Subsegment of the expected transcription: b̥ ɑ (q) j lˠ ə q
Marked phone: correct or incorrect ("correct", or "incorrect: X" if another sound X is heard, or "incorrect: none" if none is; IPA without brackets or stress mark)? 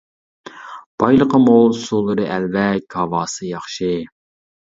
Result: incorrect: none